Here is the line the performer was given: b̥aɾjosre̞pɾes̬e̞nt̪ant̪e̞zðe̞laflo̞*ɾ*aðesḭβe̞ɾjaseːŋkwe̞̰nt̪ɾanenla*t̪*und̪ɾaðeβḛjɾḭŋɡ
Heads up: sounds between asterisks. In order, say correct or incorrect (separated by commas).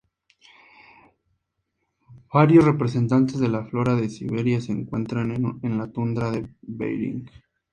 correct, correct